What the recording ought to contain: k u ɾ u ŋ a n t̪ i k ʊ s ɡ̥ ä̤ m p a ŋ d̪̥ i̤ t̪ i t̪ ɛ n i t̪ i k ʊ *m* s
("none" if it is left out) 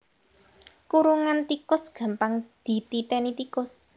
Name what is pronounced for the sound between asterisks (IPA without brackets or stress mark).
none